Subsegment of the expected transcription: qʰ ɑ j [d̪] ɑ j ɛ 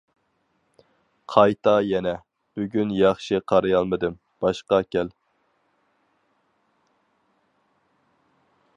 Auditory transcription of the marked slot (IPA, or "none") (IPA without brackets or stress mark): t̪